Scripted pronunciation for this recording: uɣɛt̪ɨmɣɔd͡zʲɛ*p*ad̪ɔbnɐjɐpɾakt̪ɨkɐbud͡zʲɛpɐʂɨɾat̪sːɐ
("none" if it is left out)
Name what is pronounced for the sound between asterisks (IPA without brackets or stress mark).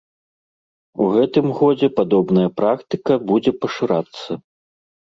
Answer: p